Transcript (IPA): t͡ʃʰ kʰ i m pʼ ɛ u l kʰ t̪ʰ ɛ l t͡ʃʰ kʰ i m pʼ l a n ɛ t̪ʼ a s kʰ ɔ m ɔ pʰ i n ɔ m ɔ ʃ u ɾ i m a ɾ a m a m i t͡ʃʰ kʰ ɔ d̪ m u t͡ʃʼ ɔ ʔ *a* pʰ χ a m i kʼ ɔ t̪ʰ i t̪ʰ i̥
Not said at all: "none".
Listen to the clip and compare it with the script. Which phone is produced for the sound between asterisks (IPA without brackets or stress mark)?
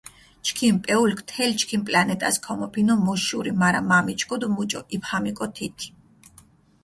i